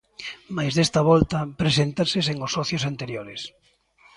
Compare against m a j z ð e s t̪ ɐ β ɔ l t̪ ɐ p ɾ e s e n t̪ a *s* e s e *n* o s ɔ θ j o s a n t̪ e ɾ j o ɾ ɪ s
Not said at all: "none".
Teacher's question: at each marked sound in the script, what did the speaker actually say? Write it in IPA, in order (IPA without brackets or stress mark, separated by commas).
s, ŋ